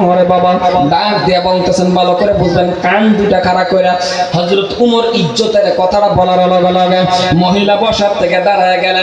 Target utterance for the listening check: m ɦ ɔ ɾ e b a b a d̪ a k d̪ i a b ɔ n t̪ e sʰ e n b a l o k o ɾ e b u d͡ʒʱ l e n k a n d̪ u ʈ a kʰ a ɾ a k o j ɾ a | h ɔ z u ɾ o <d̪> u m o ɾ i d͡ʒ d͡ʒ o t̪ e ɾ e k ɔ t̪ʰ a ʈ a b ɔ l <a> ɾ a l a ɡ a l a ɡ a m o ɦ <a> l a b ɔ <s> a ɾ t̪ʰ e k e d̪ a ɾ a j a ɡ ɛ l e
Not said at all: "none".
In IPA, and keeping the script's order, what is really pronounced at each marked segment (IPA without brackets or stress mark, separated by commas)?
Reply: t̪, a, i, ʃ